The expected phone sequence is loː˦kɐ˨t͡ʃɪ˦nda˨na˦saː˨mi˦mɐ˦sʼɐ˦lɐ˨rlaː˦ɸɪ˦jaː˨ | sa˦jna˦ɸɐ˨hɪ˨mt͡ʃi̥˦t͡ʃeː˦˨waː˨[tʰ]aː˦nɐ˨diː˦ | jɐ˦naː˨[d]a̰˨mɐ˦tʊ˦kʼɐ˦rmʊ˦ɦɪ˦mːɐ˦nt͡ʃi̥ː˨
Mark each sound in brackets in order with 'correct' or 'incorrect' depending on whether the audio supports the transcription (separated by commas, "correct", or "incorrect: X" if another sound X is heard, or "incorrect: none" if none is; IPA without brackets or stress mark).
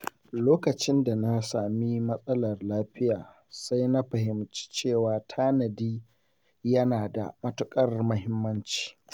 correct, correct